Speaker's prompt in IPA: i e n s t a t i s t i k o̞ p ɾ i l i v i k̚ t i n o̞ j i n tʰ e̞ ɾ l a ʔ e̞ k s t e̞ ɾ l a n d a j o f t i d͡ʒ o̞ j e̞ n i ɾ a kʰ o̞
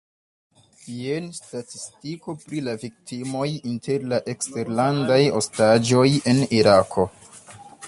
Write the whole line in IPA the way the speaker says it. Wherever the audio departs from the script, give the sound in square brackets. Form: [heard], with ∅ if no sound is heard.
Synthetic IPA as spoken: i e n s t a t i s t i k o̞ p ɾ i l [a] v i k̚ t i [m] o̞ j i n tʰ e̞ ɾ l a ʔ e̞ k s t e̞ ɾ l a n d a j o [s] t [a] d͡ʒ o̞ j e̞ n i ɾ a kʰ o̞